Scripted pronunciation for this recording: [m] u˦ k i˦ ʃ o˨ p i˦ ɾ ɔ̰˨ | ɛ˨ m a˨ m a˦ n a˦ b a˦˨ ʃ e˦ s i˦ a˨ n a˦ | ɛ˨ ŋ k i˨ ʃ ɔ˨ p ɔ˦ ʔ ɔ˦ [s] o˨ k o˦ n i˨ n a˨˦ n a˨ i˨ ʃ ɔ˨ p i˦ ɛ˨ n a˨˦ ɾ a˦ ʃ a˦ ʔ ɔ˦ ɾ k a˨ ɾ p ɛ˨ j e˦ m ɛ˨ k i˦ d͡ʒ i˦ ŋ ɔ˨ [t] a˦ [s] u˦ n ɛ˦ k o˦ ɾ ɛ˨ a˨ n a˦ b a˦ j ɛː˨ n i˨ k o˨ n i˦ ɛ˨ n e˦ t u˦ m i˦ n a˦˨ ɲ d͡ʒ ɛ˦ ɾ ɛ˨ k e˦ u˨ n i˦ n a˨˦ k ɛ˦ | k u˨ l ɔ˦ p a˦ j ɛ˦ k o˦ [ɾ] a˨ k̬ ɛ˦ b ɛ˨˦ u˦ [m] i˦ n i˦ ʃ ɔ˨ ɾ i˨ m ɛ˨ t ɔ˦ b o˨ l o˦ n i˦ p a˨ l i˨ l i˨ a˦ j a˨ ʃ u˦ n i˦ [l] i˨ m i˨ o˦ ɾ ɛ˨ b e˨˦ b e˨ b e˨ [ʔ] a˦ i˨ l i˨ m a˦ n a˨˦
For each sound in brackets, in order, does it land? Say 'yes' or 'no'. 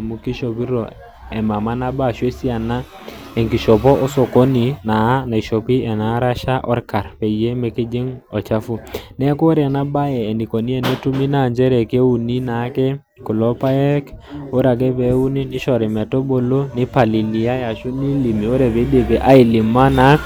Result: yes, yes, no, no, yes, no, yes, yes

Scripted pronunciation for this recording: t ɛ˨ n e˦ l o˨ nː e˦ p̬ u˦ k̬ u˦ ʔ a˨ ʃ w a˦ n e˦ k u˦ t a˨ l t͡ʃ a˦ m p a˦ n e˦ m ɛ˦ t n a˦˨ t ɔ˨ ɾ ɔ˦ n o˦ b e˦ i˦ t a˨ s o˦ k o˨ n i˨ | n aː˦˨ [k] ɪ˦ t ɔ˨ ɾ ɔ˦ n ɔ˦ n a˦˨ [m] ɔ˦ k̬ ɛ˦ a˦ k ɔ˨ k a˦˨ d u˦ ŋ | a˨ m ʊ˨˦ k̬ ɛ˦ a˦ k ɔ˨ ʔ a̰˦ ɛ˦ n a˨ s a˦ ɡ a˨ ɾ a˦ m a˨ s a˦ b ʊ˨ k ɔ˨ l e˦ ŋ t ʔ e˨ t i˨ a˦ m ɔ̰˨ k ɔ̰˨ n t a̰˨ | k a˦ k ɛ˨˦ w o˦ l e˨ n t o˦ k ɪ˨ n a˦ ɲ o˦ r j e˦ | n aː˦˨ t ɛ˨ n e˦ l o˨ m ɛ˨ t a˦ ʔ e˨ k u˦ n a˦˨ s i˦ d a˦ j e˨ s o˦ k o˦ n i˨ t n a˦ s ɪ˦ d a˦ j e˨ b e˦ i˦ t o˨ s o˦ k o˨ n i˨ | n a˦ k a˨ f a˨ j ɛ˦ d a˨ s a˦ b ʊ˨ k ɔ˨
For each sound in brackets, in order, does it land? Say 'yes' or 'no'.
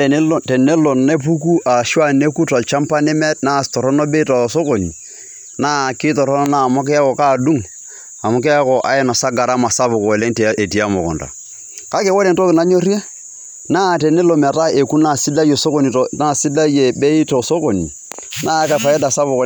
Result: yes, yes

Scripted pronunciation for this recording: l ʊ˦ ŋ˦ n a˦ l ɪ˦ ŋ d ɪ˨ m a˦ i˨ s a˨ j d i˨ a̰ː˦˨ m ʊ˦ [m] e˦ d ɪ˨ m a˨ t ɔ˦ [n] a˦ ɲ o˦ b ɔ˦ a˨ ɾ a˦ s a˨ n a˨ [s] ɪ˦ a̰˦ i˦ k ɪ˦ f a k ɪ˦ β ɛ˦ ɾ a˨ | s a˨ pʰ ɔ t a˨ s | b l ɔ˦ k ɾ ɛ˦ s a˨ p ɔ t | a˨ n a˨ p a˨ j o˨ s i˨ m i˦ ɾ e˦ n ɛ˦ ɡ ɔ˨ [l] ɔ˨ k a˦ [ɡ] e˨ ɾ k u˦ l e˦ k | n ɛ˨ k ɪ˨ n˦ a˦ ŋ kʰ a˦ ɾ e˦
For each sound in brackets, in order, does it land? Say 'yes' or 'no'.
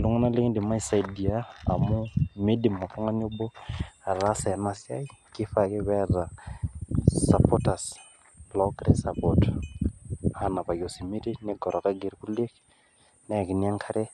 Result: yes, no, yes, no, yes

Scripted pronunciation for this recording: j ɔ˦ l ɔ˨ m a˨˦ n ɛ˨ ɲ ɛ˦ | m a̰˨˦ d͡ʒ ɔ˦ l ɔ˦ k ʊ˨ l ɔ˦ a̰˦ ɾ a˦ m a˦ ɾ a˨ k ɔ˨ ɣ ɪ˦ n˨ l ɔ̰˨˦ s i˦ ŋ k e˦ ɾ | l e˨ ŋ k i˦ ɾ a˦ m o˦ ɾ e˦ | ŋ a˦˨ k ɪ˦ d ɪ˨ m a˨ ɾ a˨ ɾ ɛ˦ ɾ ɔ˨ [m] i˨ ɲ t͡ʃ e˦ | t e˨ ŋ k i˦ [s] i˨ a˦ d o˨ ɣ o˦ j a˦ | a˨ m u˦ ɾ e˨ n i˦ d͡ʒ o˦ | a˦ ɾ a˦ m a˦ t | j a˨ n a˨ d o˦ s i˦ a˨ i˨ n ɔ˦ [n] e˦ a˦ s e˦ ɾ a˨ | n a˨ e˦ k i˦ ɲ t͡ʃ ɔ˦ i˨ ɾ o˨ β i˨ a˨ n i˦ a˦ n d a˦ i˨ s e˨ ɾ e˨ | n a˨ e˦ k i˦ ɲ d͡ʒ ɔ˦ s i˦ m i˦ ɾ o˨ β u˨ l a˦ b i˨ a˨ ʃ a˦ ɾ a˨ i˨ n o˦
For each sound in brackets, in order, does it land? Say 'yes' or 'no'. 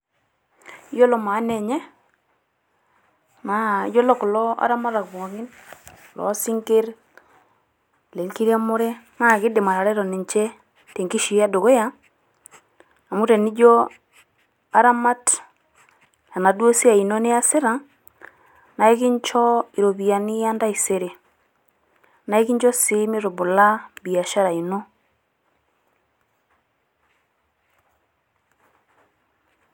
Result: no, no, yes

